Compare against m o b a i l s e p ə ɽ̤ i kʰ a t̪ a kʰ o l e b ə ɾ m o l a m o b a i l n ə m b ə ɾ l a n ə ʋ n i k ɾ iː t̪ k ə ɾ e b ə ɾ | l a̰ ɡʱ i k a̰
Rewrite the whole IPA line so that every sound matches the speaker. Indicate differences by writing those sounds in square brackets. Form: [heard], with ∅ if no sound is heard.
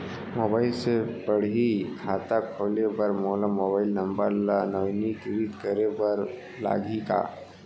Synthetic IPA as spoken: m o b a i l s e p ə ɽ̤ i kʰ a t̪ a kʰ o l e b ə ɾ m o l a m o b a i l n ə m b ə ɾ l a n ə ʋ n i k ɾ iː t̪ k ə ɾ e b ə ɾ | l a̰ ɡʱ i k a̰